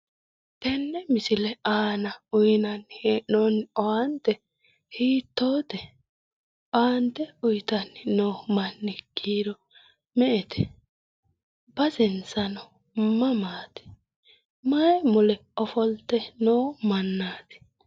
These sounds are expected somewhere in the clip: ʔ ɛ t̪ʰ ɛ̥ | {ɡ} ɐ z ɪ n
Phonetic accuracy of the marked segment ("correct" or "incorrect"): incorrect